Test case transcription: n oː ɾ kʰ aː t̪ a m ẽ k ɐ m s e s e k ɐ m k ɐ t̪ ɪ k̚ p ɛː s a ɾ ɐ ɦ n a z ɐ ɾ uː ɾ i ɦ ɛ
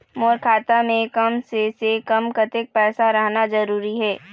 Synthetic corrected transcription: m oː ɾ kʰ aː t̪ a m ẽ k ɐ m s e s e k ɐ m k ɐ t̪ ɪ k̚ p ɛː s a ɾ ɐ ɦ n a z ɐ ɾ uː ɾ i ɦ ɛː